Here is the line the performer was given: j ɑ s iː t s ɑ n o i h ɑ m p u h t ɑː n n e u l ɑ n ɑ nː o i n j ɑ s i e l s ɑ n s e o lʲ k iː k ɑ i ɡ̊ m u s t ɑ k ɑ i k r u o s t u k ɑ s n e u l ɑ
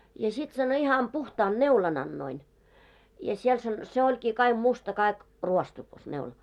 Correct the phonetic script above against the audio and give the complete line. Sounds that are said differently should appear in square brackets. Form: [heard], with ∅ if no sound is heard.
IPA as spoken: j ɑ s [i] t s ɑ n o i h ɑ m p u h t ɑː n n e u l ɑ n ɑ nː o i n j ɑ s i e l s ɑ n s e o lʲ k iː k ɑ i ɡ̊ m u s t ɑ k ɑ i k r u o s t u k ɑ s n e u l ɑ